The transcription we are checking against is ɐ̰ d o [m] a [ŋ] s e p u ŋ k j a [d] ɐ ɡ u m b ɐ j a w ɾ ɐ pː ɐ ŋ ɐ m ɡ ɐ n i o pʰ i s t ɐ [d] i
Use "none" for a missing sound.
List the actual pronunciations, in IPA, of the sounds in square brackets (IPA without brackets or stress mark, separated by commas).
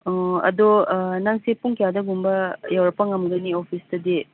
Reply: n, ŋ, d, d